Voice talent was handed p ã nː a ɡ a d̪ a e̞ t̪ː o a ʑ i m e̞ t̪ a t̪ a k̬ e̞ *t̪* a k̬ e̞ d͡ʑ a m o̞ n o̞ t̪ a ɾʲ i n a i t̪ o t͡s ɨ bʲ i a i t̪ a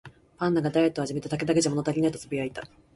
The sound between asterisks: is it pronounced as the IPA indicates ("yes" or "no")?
no